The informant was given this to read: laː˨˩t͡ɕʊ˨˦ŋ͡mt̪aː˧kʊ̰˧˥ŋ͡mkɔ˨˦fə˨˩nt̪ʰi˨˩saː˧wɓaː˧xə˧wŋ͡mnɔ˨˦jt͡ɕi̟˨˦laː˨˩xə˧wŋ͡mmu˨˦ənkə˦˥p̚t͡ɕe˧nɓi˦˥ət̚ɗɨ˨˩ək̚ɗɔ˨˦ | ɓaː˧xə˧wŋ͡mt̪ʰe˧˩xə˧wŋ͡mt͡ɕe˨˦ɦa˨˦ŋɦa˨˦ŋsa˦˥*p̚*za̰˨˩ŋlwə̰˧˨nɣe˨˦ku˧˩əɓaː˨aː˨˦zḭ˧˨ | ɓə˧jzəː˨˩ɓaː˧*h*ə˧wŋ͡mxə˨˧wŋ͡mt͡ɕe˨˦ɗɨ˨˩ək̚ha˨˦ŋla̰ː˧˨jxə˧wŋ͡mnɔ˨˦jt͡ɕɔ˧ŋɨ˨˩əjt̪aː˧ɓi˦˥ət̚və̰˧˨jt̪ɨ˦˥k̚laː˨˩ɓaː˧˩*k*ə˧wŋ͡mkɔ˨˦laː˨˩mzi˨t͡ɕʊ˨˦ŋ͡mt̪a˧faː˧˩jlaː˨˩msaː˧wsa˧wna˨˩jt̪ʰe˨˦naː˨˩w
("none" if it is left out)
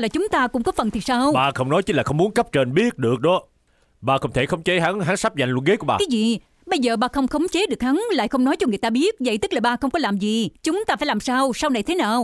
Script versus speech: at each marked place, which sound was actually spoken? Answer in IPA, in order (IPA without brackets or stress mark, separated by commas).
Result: p̚, x, x